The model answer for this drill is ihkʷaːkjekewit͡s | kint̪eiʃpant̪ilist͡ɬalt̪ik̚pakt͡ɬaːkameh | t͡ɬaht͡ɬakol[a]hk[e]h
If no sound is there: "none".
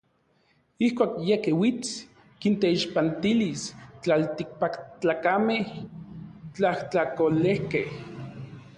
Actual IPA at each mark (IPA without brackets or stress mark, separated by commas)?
e, e